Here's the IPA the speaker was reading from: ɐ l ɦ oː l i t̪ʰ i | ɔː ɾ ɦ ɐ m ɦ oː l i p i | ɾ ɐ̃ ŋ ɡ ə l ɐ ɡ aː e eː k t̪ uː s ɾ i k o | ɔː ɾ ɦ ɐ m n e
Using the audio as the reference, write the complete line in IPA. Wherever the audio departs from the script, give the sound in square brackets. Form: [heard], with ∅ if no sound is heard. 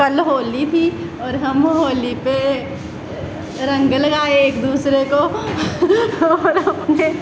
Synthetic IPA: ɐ l ɦ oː l i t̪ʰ i | ɔː ɾ ɦ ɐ m ɦ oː l i p [e] | ɾ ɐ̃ ŋ ɡ ə l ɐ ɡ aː e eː k [d̪] uː s ɾ [e] k o | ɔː ɾ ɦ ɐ m n e

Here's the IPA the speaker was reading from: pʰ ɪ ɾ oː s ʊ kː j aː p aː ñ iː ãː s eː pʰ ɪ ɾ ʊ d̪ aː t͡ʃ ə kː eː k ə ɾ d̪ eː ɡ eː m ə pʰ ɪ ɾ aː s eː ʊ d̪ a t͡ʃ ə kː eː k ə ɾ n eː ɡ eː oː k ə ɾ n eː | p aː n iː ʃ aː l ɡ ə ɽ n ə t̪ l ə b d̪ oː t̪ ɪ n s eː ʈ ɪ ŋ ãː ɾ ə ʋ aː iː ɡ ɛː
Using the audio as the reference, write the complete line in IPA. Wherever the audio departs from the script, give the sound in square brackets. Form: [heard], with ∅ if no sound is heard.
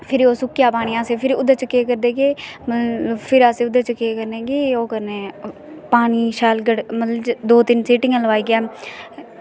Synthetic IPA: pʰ ɪ ɾ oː s ʊ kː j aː p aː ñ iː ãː s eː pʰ ɪ ɾ ʊ d̪ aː t͡ʃ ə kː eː k ə ɾ d̪ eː ɡ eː m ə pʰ ɪ ɾ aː s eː ʊ d̪ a t͡ʃ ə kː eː k ə ɾ n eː ɡ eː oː k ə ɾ n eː | p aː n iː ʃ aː l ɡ ə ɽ [m] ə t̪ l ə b d̪ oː t̪ ɪ n s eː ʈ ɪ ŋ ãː [l] ə ʋ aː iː ɡ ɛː

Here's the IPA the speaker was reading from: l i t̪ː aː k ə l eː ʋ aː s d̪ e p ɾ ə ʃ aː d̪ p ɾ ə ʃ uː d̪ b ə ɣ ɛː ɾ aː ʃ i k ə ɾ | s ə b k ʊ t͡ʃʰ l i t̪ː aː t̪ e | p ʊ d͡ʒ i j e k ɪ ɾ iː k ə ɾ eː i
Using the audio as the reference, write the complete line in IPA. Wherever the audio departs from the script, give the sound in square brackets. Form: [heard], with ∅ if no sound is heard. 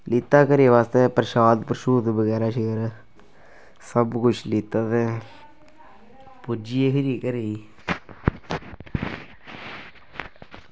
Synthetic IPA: l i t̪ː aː k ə [ɾ] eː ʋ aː s [t̪] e p ɾ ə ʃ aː d̪ p ɾ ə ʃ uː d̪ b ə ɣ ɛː ɾ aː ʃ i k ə ɾ | s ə b k ʊ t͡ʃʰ l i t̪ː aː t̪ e | p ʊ d͡ʒ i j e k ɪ ɾ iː k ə ɾ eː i

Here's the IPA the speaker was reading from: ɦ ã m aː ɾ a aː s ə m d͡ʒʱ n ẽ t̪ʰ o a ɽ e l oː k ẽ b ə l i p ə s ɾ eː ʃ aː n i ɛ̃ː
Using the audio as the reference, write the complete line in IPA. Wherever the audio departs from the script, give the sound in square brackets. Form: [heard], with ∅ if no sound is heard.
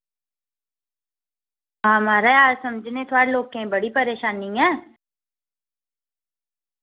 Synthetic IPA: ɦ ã m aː ɾ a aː s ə m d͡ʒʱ n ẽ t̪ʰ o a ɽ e l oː k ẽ b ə [ɽ] i p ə [∅] ɾ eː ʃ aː n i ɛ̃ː

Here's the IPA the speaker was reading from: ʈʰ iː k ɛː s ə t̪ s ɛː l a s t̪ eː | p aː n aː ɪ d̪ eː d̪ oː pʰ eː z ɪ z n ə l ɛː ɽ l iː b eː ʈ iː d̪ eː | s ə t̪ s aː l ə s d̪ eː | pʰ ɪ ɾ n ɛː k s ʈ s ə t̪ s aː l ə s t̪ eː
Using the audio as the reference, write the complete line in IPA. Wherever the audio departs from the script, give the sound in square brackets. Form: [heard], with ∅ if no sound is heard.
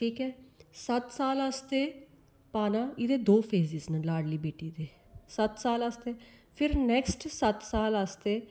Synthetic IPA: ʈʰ iː k ɛː s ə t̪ s [aː] l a s t̪ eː | p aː n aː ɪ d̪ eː d̪ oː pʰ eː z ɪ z n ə l [aː] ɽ l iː b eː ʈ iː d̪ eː | s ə t̪ s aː l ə s [t̪] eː | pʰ ɪ ɾ n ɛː k s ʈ s ə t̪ s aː l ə s t̪ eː

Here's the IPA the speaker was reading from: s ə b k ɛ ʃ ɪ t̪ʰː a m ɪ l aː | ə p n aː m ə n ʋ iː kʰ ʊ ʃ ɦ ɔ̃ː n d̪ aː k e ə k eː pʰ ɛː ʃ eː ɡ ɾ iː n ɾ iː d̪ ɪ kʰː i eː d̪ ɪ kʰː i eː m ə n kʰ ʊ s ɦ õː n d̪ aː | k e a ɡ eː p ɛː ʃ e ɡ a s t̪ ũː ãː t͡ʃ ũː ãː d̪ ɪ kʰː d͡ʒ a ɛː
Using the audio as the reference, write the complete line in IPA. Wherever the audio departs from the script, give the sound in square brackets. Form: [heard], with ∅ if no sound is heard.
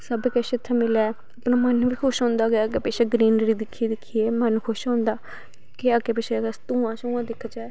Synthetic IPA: s ə b k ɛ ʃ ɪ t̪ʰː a m ɪ l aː | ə p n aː m ə n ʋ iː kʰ ʊ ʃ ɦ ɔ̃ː n d̪ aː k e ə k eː [p] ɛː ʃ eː ɡ ɾ iː n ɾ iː d̪ ɪ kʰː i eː d̪ ɪ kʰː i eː m ə n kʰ ʊ [ʃ] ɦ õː n d̪ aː | k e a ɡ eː p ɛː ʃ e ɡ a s t̪ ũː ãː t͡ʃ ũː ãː d̪ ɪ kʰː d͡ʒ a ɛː

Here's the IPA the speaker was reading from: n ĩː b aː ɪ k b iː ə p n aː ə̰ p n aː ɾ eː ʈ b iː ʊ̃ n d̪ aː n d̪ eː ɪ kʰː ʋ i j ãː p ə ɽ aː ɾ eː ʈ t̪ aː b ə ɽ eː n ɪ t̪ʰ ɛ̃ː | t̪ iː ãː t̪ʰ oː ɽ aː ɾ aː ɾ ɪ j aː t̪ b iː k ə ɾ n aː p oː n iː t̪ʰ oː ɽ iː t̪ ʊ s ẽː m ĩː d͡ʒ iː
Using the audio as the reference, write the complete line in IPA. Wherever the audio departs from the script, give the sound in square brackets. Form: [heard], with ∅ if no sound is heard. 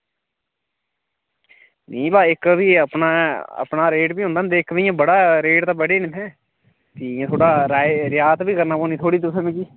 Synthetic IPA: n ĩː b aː ɪ k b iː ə p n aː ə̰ p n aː ɾ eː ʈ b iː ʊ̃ n d̪ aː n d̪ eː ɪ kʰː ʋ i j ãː [b] ə ɽ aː ɾ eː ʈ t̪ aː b ə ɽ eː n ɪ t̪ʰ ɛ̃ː | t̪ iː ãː t̪ʰ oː ɽ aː ɾ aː ɾ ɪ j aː t̪ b iː k ə ɾ n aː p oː n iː t̪ʰ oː ɽ iː t̪ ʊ s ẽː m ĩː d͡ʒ iː

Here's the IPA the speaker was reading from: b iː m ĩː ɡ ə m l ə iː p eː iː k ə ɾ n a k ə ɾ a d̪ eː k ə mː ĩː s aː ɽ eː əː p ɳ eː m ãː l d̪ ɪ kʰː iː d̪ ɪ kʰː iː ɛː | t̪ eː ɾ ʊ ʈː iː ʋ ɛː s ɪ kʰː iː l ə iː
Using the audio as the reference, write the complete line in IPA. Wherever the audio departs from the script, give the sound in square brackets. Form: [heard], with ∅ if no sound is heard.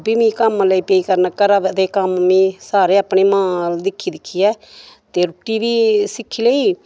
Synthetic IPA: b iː m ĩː [k] ə m l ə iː p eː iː k ə ɾ n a k ə ɾ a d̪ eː k ə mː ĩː s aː [ɾ] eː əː p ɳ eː m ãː l d̪ ɪ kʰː iː d̪ ɪ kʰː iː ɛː | t̪ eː ɾ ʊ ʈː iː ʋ [iː] s ɪ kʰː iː l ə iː

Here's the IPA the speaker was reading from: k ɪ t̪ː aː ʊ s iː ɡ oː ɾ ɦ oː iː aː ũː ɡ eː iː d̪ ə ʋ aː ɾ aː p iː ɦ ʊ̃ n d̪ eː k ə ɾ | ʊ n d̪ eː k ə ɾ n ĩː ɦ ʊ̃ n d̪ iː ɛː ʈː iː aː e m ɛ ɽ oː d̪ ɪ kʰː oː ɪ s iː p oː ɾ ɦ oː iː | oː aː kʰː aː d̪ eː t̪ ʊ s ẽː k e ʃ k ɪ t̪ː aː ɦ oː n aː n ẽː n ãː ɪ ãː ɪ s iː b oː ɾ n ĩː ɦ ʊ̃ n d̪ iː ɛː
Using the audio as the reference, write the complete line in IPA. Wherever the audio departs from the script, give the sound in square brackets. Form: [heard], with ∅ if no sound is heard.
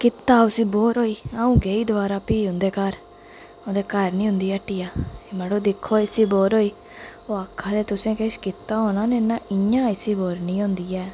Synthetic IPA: k ɪ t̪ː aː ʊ s iː [b] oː ɾ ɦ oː iː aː ũː ɡ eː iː d̪ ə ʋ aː ɾ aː p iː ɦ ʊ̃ n d̪ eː k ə ɾ | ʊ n d̪ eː k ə ɾ n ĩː ɦ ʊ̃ n d̪ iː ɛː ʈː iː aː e m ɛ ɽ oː d̪ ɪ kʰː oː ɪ s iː [b] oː ɾ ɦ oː iː | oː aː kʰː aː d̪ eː t̪ ʊ s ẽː k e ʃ k ɪ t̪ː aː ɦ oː n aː n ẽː n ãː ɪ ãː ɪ s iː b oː ɾ n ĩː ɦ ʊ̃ n d̪ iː ɛː

